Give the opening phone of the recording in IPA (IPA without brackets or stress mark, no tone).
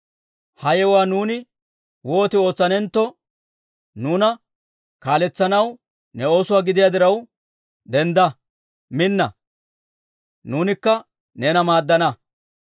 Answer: h